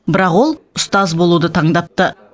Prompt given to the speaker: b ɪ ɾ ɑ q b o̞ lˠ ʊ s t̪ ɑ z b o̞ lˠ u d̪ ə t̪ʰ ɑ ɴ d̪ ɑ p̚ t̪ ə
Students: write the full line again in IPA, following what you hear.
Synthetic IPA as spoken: b ɪ ɾ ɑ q w o̞ lˠ ʊ s t̪ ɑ z b o̞ lˠ u d̪ ə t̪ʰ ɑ ɴ d̪ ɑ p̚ t̪ ə